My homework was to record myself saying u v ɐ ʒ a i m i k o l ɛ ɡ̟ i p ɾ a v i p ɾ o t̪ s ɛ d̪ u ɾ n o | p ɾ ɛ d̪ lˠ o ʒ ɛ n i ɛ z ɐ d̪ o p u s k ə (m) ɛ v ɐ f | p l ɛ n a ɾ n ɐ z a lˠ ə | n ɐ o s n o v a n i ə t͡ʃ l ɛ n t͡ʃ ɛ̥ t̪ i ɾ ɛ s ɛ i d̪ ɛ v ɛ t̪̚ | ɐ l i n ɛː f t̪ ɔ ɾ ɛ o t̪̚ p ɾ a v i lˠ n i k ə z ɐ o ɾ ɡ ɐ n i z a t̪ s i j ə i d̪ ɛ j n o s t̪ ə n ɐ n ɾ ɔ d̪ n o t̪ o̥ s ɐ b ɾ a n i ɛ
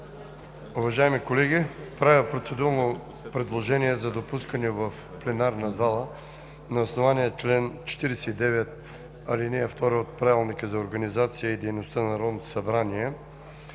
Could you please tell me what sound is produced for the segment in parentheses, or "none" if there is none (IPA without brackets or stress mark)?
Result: n